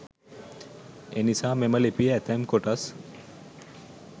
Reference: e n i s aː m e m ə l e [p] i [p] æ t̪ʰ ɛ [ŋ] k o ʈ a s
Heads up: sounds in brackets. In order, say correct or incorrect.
correct, incorrect: none, incorrect: m

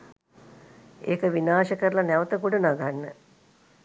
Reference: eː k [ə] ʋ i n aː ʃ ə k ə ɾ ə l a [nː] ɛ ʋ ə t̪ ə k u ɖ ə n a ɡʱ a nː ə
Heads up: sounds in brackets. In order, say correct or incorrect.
correct, incorrect: n

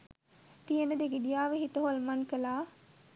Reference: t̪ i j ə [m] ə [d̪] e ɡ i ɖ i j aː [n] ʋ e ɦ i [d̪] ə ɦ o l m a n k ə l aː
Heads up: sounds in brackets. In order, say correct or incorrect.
incorrect: n, correct, incorrect: none, incorrect: t̪

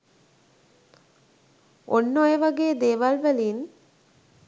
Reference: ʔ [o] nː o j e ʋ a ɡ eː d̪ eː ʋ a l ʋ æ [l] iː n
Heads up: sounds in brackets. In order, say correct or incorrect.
correct, correct

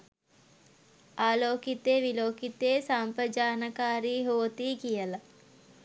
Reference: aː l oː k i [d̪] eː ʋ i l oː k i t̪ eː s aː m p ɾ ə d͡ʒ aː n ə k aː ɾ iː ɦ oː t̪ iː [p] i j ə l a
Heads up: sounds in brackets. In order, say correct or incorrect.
incorrect: t̪, incorrect: k

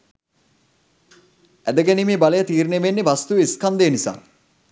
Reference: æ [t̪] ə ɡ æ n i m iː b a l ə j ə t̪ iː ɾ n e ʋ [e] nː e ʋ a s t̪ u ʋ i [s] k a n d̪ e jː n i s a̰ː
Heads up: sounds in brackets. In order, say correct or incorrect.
incorrect: d̪, correct, correct

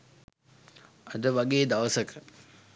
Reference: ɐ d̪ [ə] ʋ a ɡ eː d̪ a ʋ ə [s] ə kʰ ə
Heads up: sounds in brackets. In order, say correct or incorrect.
correct, correct

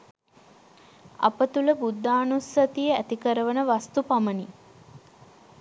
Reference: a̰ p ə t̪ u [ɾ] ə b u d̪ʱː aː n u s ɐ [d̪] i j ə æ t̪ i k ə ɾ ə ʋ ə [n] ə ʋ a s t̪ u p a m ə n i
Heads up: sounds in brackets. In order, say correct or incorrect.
incorrect: l, incorrect: t̪, correct

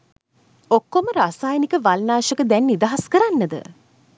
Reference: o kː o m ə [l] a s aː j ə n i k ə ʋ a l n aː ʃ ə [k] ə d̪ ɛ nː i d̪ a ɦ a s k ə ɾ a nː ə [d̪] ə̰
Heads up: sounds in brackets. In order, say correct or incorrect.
incorrect: ɾ, correct, correct

